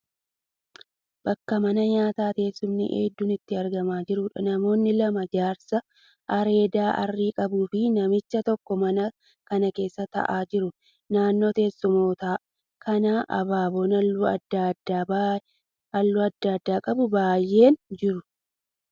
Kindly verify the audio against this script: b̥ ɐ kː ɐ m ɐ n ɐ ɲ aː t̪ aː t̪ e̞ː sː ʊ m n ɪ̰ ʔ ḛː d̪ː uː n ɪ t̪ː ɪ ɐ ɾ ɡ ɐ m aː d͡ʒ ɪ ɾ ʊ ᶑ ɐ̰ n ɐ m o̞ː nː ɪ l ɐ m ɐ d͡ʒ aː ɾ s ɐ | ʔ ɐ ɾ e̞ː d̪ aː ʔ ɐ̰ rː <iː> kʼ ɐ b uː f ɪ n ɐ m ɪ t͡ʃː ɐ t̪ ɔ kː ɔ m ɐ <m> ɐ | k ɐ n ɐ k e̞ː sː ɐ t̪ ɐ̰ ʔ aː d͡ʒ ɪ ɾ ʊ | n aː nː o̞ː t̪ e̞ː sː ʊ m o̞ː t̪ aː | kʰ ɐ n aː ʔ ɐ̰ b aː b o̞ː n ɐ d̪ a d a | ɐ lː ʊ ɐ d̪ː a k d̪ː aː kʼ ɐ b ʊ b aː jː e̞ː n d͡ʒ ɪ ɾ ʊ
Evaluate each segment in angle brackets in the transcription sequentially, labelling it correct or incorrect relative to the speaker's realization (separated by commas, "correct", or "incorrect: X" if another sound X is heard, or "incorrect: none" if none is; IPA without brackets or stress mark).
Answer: correct, incorrect: n